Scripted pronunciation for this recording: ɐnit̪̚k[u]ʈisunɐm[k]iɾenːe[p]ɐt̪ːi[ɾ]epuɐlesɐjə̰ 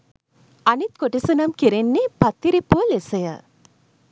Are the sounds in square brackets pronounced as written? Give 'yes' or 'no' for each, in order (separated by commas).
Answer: no, yes, yes, yes